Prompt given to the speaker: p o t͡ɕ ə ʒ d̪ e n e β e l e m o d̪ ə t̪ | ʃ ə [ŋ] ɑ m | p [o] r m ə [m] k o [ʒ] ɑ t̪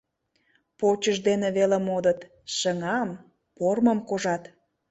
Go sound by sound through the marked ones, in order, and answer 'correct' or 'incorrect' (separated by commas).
correct, correct, correct, correct